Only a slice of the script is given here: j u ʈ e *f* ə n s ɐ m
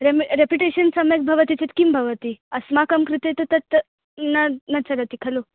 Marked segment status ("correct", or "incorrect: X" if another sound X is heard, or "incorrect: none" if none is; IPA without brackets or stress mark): incorrect: ɕ